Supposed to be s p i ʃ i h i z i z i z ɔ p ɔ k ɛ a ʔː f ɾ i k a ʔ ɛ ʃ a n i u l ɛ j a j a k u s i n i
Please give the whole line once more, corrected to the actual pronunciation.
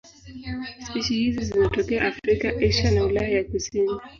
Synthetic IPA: s p i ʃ i h i z i z i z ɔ t ɔ k ɛ a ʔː f ɾ i k a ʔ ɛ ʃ a n a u l a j a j a k u s i n i